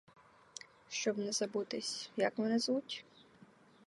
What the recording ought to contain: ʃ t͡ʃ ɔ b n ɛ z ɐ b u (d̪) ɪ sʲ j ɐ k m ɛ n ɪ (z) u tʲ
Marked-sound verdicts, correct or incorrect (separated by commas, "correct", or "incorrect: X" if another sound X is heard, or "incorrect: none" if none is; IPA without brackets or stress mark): incorrect: t̪, correct